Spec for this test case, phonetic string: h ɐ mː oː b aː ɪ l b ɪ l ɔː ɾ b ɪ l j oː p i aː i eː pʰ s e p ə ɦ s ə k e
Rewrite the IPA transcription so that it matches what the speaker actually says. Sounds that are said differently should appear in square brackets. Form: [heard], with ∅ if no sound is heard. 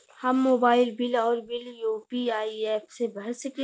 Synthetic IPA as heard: h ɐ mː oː b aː ɪ l b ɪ l ɔː ɾ b ɪ l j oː p i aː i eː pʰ s e [b] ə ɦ s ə k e